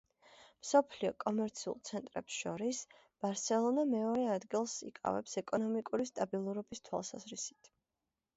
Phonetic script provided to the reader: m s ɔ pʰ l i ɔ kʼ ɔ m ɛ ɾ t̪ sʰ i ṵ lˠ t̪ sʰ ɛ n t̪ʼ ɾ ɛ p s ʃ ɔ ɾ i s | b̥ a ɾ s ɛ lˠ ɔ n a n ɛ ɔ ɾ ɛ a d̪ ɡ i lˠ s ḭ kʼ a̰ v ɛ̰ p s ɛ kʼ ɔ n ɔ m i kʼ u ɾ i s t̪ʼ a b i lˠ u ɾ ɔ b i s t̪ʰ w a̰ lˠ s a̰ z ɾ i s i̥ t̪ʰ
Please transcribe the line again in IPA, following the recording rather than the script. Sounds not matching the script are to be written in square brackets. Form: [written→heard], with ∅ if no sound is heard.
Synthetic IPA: m s ɔ pʰ l i ɔ kʼ ɔ m ɛ ɾ t̪ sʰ i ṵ lˠ t̪ sʰ ɛ n t̪ʼ ɾ ɛ p s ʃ ɔ ɾ i s | b̥ a ɾ s ɛ lˠ ɔ n a [n→m] ɛ ɔ ɾ ɛ a d̪ ɡ i lˠ s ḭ kʼ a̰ v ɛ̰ p s ɛ kʼ ɔ n ɔ m i kʼ u ɾ i s t̪ʼ a b i lˠ u ɾ ɔ b i s t̪ʰ w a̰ lˠ s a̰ z ɾ i s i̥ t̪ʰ